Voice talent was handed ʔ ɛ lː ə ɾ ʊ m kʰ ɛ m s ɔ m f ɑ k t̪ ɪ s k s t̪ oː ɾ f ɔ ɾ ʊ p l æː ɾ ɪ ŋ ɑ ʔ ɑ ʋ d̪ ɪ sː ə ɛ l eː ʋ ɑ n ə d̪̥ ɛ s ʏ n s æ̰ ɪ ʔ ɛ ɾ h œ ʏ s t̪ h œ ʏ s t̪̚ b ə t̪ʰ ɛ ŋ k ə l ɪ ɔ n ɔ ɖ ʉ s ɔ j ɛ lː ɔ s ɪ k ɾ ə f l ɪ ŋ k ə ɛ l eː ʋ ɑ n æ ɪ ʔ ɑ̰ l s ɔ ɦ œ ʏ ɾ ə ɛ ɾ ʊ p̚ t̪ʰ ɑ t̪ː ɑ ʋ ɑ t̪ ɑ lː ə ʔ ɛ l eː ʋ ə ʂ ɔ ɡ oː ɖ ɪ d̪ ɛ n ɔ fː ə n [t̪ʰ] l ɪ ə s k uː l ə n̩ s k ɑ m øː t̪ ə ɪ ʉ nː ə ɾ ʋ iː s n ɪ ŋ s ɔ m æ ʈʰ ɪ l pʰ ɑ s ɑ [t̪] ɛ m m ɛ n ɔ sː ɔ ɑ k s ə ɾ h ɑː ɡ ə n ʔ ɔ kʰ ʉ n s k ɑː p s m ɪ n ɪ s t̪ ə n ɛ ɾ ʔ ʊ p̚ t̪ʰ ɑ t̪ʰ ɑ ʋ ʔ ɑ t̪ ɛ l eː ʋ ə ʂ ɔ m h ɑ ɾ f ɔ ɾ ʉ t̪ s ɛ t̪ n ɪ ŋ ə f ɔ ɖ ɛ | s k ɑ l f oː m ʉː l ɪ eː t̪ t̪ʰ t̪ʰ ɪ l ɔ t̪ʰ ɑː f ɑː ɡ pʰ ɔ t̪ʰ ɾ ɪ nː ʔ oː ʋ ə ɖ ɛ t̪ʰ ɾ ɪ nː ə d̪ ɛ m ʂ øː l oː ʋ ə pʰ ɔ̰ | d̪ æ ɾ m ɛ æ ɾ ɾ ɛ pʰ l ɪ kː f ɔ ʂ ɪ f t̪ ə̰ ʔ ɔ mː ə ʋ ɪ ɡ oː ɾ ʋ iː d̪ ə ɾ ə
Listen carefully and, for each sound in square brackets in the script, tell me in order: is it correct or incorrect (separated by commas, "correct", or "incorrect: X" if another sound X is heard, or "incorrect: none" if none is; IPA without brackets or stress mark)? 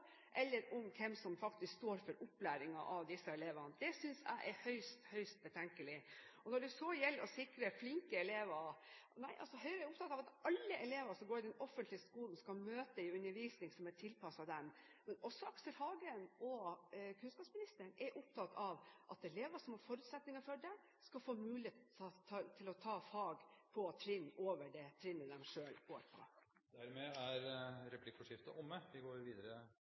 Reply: incorrect: t̪, incorrect: d̪